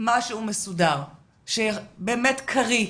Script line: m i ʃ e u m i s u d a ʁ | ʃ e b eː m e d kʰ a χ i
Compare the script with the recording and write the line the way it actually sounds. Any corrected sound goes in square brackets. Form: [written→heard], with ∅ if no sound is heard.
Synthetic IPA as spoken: m [i→a] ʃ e u m [i→e] s u d a ʁ | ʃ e b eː m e [d→t] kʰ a [χ→ʁ] i